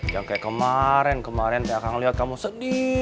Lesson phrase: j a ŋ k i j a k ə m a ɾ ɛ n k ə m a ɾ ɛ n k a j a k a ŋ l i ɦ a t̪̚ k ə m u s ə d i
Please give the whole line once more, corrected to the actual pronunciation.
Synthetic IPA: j a ŋ k a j a k ə m a ɾ ɛ n k ə m a ɾ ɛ n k a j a k a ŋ l i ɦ a t̪̚ k a m u s ə d i